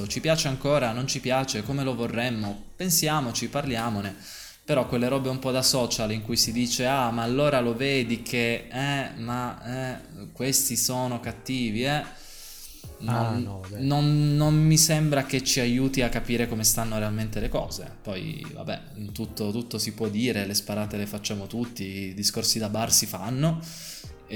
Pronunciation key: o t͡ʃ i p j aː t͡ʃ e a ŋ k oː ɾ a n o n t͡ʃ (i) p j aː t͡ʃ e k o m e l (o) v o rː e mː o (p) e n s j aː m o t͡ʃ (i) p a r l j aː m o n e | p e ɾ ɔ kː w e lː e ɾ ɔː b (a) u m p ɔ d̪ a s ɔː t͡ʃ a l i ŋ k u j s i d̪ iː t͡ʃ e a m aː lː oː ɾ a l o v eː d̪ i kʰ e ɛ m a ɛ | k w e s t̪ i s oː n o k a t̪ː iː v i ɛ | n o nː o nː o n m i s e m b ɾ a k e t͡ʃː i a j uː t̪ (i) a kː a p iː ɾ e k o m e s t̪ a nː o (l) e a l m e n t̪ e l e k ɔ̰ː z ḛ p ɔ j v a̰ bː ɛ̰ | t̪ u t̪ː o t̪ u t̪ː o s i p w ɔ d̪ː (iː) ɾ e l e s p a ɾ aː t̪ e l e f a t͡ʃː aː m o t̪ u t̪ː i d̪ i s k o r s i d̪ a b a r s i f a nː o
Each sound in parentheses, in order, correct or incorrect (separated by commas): correct, correct, correct, correct, incorrect, correct, incorrect, correct